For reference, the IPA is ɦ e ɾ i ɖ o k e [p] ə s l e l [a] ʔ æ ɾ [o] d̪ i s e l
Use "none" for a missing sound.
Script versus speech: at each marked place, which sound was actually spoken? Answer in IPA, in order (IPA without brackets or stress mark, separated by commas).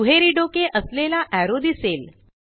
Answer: ʔ, a, o